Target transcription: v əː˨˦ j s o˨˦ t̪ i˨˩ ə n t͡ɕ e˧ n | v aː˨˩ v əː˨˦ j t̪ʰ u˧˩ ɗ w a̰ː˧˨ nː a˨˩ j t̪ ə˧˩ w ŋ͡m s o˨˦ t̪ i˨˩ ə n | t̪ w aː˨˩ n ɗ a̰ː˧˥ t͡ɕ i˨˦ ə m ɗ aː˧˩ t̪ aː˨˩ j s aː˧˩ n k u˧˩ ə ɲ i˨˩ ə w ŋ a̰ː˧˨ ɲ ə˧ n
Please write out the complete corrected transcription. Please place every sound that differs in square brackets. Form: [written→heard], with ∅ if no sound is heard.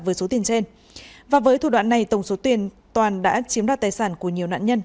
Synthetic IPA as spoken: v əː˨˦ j s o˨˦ t̪ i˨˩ ə n t͡ɕ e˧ n | v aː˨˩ v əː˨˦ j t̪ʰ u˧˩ ɗ w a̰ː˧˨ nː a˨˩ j t̪ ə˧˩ w ŋ͡m s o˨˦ t̪ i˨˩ ə n | t̪ w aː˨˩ n ɗ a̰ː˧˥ t͡ɕ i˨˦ ə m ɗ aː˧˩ t̪ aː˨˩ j s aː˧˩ n k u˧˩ ə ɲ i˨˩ ə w [ŋ→n] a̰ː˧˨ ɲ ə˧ n